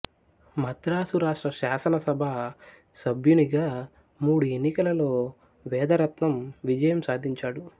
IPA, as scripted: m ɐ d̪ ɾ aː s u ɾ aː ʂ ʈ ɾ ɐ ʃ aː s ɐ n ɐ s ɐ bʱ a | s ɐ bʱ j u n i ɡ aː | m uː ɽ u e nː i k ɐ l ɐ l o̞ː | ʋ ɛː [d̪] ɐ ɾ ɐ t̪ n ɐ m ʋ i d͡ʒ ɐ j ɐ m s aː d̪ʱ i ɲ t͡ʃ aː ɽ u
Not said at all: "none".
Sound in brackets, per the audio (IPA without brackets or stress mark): d̪